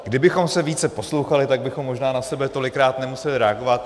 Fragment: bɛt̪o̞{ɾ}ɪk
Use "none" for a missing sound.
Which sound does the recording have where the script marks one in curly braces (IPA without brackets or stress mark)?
l